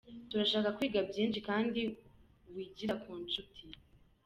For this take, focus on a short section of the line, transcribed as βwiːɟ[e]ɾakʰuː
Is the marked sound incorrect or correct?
incorrect